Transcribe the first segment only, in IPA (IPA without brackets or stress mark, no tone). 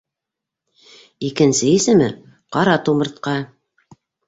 i